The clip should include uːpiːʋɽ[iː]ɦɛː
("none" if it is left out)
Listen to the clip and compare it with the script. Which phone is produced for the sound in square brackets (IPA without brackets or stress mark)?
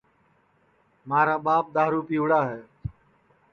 aː